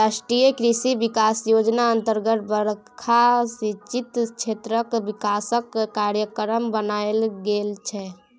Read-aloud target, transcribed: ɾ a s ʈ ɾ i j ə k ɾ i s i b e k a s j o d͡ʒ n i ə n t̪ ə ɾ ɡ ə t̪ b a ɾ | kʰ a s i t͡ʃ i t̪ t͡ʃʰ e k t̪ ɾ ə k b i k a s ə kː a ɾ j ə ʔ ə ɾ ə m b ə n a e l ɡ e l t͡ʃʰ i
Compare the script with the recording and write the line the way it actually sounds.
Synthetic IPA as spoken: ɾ a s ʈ ɾ i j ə k ɾ i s i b i k a s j o d͡ʒ n a ə n t̪ ə ɾ ɡ ə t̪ b ə ɾ | kʰ a s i t͡ʃ i t̪ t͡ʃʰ e t̪ ɾ ə k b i k a s ə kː a ɾ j ə k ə ɾ ə m b ə n a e l ɡ e l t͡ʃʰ ɛ